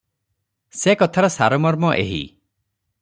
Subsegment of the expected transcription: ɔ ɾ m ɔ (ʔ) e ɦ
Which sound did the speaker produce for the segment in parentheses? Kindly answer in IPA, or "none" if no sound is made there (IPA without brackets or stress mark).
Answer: ʔ